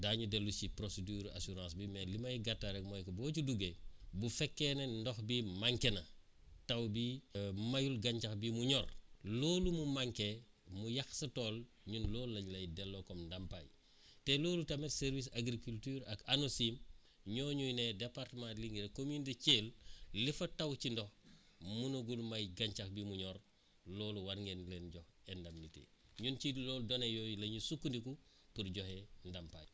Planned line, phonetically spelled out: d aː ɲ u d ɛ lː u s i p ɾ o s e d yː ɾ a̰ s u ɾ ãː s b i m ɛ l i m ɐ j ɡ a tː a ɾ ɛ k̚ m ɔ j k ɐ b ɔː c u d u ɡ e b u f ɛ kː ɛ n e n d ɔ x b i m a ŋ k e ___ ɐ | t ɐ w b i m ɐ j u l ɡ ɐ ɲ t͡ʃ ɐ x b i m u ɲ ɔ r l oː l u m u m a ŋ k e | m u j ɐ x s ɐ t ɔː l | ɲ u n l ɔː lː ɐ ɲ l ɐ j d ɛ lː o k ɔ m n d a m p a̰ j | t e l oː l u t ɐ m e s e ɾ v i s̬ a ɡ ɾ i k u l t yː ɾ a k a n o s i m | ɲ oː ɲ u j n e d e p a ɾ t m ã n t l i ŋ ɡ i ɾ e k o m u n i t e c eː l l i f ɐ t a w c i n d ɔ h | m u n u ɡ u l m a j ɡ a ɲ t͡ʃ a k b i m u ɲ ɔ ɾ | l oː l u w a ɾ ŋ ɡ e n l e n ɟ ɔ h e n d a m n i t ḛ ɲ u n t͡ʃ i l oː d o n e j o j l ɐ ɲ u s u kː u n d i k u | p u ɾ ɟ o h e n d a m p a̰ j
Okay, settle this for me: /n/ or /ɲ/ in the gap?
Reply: n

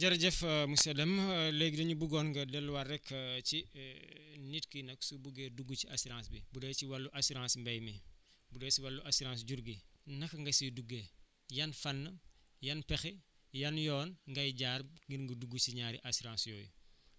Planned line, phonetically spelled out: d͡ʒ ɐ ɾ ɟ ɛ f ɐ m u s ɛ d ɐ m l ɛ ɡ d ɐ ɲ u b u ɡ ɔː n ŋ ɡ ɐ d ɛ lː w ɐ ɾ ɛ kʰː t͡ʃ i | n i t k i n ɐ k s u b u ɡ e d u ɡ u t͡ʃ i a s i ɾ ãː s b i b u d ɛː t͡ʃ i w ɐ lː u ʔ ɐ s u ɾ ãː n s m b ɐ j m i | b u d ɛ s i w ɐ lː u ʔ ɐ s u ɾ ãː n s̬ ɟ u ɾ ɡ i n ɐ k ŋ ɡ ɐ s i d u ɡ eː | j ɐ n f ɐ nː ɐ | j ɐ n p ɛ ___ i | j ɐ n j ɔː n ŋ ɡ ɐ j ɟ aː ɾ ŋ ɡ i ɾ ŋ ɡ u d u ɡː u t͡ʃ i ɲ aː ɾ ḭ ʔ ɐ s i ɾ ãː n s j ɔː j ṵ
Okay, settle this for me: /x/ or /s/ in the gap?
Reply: x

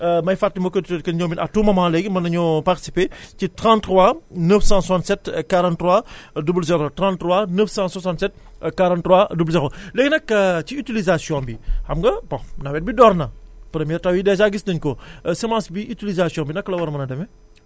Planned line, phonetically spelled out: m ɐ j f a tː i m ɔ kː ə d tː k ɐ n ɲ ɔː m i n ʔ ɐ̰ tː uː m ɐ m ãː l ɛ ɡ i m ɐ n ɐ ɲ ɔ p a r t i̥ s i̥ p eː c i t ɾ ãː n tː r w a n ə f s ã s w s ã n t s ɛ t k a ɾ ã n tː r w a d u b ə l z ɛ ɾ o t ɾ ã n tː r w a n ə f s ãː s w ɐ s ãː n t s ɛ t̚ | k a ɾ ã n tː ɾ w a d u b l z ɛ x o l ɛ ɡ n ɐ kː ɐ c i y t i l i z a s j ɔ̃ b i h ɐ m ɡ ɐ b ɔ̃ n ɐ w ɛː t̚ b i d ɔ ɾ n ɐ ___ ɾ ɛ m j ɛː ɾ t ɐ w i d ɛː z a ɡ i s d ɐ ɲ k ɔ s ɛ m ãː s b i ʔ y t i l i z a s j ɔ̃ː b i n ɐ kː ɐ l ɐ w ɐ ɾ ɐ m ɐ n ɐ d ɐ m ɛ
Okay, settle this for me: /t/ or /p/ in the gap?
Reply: p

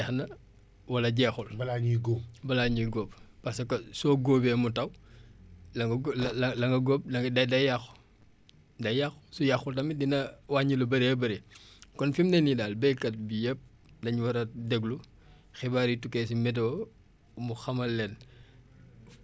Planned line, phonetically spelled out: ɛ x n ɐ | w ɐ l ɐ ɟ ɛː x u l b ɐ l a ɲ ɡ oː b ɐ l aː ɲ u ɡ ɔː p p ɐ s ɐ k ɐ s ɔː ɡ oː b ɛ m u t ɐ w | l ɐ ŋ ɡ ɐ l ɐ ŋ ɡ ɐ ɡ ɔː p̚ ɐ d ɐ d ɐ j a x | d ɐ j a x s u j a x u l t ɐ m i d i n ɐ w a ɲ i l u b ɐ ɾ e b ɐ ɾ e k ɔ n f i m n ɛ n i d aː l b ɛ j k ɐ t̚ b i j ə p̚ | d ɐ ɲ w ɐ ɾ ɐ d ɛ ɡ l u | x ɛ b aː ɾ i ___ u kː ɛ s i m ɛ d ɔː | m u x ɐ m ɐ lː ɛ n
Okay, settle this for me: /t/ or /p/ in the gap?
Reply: t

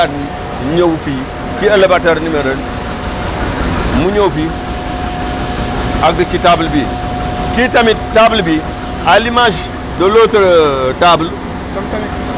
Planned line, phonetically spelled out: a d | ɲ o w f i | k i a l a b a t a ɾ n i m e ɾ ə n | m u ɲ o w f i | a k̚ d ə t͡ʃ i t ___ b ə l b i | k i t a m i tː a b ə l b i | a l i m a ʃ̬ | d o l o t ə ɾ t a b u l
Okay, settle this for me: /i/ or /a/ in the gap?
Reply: a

